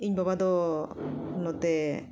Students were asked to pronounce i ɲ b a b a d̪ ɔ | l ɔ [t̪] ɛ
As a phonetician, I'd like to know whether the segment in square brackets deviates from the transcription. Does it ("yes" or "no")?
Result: no